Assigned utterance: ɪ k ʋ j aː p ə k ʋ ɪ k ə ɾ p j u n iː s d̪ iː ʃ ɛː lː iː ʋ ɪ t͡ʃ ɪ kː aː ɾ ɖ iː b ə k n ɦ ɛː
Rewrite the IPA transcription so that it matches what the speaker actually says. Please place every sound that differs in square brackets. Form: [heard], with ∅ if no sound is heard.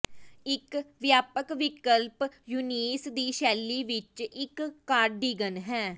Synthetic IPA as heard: ɪ k ʋ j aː p ə k ʋ ɪ k ə [l] p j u n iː s d̪ iː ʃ ɛː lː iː ʋ ɪ t͡ʃ ɪ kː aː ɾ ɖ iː [ɡ] ə [∅] n ɦ ɛː